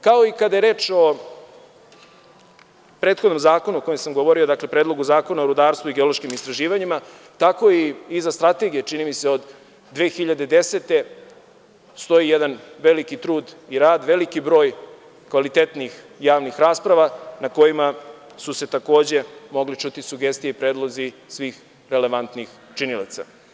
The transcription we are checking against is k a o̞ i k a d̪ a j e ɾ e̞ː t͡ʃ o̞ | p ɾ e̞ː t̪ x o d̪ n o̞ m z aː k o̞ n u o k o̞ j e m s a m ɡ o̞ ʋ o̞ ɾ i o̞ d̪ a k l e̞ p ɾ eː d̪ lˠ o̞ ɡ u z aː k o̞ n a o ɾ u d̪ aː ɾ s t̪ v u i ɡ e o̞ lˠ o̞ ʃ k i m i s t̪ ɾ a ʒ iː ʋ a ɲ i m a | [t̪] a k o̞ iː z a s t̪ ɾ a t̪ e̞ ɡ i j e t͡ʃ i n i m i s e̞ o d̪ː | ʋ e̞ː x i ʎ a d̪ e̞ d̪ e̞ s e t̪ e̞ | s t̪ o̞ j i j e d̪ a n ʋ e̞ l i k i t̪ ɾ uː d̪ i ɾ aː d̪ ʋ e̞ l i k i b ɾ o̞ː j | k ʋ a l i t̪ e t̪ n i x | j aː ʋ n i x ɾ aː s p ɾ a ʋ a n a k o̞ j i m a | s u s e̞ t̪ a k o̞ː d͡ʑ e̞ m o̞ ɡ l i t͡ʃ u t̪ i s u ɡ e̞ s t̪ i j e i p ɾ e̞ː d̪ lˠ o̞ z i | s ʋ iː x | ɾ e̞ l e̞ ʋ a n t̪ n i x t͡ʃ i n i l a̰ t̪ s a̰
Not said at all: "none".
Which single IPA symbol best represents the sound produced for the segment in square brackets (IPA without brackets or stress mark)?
t̪